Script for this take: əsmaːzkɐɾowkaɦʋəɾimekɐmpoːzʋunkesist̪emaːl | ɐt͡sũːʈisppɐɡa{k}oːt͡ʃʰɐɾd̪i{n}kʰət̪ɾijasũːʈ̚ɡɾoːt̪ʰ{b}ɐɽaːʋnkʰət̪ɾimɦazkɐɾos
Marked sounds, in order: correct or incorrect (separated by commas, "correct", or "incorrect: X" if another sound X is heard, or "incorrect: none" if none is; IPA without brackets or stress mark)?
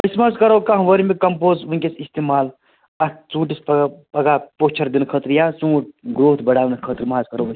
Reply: incorrect: p, correct, correct